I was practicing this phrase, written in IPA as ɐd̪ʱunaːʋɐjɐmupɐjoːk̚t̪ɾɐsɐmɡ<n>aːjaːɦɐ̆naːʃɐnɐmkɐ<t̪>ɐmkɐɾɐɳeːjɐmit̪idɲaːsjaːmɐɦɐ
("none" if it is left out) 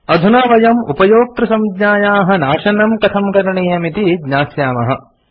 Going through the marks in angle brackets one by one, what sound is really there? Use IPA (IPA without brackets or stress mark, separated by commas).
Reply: ɲ, t̪ʰ